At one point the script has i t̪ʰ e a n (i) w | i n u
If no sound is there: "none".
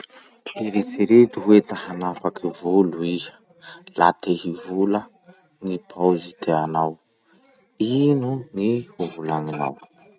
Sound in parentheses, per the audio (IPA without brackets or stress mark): a